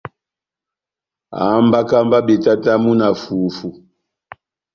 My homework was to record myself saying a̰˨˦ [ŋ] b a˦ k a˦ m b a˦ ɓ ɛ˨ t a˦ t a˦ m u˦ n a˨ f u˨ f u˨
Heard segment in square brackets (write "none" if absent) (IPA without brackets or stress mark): m